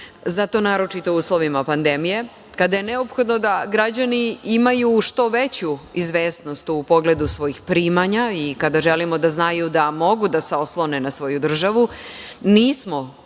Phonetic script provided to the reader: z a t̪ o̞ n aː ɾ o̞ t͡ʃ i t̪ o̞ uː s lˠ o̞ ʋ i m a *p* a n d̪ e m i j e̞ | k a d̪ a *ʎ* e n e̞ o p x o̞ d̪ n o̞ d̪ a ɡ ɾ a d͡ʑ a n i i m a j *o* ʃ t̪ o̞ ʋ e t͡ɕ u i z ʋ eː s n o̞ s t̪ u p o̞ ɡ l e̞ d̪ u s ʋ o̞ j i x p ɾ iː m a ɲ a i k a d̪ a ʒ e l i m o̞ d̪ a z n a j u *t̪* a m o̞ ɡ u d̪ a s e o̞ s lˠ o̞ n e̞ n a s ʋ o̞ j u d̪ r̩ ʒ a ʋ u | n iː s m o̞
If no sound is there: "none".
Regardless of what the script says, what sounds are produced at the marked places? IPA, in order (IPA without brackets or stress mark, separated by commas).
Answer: p, j, u, d̪